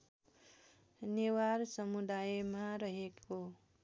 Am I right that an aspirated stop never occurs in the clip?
yes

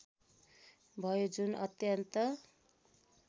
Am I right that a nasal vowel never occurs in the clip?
yes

